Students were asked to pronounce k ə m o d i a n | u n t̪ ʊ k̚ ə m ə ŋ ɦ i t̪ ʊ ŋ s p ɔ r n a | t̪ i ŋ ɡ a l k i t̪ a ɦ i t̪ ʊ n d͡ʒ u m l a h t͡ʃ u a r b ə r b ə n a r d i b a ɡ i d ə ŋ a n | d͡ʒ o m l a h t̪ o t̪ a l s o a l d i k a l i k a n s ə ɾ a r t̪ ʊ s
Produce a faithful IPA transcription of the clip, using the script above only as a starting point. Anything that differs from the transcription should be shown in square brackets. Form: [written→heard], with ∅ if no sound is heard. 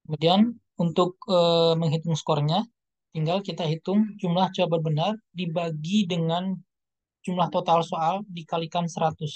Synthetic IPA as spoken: k ə m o d i a n | u n t̪ ʊ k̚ ə m ə ŋ ɦ i t̪ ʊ ŋ s [p→k] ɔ r [n→ɲ] a | t̪ i ŋ ɡ a l k i t̪ a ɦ i t̪ ʊ [n→ŋ] d͡ʒ u m l a h t͡ʃ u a [r→∅] b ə r b ə n a r d i b a ɡ i d ə ŋ a n | d͡ʒ [o→u] m l a h t̪ o t̪ a l s o a l d i k a l i k a n s ə ɾ a [r→∅] t̪ ʊ s